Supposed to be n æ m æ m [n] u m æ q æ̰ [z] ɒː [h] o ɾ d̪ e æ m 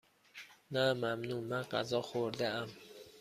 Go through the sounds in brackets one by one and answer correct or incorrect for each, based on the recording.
correct, correct, incorrect

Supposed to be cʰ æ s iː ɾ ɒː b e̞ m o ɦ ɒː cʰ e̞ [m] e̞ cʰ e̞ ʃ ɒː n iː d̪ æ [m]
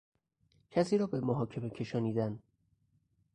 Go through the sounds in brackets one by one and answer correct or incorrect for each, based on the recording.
correct, incorrect

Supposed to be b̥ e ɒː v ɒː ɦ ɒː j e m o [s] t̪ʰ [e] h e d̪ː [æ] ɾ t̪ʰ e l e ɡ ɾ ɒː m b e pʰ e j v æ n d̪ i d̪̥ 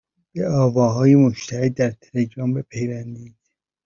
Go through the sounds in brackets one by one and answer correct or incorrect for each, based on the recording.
incorrect, incorrect, correct

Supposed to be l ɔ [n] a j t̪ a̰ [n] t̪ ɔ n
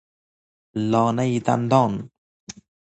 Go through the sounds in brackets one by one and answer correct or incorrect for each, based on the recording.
correct, correct

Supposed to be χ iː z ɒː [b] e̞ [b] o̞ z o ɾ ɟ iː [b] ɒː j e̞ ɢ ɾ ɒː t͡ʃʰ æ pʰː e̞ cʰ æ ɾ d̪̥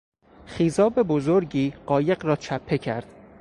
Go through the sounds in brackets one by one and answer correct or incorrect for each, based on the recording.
correct, correct, incorrect

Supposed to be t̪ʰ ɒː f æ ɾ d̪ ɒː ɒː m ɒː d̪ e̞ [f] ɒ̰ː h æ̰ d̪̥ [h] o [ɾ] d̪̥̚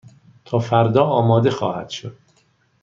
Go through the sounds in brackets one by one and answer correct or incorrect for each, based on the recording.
incorrect, incorrect, incorrect

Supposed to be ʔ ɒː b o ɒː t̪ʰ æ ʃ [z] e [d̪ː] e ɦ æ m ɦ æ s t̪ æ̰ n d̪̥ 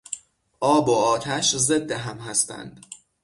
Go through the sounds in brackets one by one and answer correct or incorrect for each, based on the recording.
correct, correct

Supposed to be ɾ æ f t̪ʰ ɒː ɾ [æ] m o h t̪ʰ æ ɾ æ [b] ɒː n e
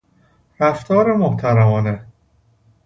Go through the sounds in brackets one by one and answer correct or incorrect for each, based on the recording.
incorrect, incorrect

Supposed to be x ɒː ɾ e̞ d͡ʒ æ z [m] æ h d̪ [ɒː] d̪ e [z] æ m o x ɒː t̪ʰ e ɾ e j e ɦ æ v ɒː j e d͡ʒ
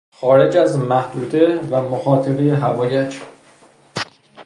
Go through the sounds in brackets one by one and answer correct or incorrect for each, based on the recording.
correct, incorrect, incorrect

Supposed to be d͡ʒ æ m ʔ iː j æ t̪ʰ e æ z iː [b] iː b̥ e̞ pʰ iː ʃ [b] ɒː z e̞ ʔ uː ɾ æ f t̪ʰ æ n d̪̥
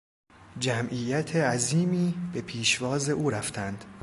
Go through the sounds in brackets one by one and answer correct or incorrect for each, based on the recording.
incorrect, incorrect

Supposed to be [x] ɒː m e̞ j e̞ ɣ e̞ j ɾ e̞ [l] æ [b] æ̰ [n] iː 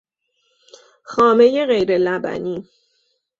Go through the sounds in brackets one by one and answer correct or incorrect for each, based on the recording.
correct, correct, correct, correct

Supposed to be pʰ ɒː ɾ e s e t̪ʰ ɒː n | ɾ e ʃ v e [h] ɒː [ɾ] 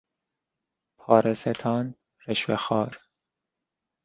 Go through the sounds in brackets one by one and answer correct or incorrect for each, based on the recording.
incorrect, correct

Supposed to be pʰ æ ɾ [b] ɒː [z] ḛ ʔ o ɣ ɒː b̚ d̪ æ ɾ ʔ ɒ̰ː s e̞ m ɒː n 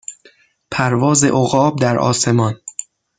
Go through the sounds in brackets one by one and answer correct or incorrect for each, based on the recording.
incorrect, correct

